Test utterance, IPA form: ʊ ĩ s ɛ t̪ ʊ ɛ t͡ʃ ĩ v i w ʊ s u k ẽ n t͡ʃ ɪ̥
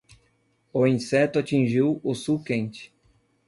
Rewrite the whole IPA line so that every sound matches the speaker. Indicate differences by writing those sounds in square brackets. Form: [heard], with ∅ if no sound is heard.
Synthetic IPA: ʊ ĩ s ɛ t̪ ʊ [a] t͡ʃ ĩ [ʒ] i w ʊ s u k ẽ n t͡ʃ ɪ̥